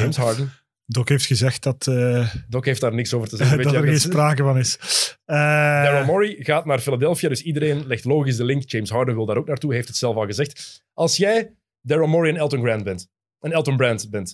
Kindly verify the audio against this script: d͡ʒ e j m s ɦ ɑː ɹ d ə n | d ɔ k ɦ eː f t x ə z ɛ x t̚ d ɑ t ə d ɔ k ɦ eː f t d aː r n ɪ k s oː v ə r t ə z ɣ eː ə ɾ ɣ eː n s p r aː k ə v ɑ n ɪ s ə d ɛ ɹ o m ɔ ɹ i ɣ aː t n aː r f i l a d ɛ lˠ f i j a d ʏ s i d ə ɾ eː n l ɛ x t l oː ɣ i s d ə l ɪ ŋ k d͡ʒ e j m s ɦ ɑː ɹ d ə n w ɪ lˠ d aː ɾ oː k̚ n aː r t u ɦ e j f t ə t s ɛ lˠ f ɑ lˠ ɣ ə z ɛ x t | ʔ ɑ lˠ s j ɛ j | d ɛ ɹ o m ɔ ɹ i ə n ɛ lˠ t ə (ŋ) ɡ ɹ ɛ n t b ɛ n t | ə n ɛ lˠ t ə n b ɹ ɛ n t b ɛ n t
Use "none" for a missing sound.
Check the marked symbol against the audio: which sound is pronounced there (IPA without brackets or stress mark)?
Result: n